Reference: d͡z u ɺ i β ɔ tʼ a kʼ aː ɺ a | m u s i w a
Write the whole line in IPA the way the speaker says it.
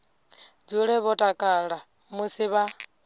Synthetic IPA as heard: d͡z u ɺ ɛ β ɔ tʼ a kʼ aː ɺ a | m u s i β a